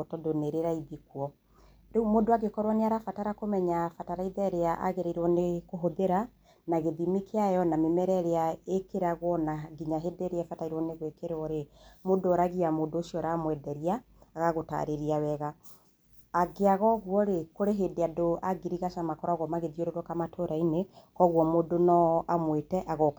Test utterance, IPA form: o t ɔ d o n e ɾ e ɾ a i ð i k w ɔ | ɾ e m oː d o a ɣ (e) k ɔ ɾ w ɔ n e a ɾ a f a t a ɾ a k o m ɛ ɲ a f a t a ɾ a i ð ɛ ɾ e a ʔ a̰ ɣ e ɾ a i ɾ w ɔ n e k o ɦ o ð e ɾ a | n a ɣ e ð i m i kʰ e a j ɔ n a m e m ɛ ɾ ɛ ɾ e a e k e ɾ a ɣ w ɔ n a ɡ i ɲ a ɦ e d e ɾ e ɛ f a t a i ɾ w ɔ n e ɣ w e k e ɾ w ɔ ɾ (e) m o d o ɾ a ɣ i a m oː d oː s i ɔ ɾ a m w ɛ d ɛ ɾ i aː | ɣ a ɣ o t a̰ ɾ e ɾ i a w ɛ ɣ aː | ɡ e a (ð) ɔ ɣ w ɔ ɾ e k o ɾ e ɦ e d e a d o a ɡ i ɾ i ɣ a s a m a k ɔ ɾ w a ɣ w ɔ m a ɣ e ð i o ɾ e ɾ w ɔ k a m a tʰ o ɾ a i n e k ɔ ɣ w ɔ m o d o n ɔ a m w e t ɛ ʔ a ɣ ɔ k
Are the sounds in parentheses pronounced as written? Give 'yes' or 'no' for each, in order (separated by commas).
yes, yes, no